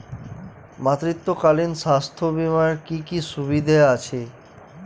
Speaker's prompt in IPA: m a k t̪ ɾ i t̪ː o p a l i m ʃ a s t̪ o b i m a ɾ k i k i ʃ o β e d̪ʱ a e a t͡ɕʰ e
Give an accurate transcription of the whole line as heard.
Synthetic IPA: m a t̪ ɾ i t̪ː o k a l i n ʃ a s t̪ʰ o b i m a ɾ k i k i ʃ u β i d̪ʱ a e a t͡ɕʰ e